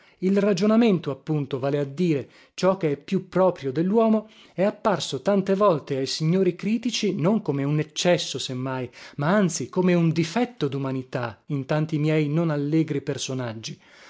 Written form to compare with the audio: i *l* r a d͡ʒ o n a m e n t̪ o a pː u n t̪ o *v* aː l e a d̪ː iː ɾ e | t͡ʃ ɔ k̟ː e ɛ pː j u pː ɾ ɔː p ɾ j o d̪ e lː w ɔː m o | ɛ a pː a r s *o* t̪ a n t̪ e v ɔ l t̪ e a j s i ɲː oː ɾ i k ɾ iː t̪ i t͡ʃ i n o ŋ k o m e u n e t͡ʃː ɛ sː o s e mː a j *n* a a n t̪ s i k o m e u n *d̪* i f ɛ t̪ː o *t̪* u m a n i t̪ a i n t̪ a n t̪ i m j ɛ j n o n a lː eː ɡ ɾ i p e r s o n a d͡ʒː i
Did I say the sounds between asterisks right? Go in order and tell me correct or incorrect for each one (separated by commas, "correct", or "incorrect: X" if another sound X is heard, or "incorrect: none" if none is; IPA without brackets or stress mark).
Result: correct, correct, correct, incorrect: m, correct, incorrect: d̪